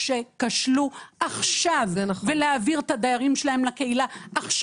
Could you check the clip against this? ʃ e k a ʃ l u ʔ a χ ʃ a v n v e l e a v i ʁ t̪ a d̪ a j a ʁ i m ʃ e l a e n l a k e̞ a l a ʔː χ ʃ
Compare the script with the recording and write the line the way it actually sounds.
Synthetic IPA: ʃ e k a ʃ l u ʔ a χ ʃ a v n v e l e a v i ʁ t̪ a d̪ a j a ʁ i m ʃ e l a e m l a k e̞ i l a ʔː χ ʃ